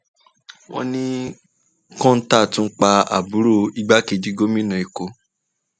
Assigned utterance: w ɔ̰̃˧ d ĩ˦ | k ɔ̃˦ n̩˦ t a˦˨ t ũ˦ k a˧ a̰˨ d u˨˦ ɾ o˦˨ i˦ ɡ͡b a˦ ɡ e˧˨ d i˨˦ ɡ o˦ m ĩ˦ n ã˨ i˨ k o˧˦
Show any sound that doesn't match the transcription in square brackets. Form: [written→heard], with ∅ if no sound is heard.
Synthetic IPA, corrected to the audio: w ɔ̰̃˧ [d→n] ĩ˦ | k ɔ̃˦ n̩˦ t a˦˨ t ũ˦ [k→k͡p] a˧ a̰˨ [d→b] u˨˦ ɾ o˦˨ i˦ ɡ͡b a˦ [ɡ→k] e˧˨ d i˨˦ ɡ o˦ m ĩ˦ n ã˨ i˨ k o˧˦